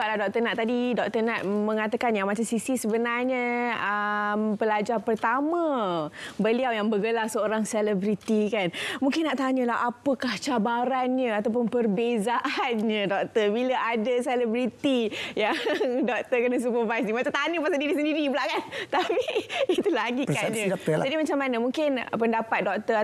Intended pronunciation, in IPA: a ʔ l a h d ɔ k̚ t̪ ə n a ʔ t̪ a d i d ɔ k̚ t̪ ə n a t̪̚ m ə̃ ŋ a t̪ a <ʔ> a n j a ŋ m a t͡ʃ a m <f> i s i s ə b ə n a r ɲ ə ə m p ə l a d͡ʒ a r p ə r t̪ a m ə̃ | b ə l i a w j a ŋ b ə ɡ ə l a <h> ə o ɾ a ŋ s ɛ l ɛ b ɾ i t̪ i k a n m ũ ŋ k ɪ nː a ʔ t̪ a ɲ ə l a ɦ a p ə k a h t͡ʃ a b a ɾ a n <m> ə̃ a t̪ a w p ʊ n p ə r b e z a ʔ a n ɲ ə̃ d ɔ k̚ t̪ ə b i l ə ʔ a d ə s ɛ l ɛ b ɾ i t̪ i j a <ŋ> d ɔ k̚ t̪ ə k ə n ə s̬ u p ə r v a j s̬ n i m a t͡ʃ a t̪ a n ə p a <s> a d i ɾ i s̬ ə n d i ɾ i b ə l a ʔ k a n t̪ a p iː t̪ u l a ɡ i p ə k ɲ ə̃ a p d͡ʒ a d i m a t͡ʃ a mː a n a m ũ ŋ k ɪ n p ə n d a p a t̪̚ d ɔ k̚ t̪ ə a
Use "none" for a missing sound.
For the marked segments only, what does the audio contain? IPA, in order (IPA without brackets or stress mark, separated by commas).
k, s, s, ɲ, ŋ, s